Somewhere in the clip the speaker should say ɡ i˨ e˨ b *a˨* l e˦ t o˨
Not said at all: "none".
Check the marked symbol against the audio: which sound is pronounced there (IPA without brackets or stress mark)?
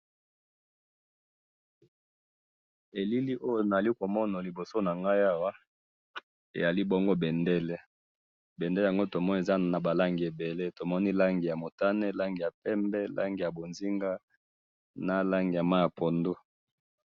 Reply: e˨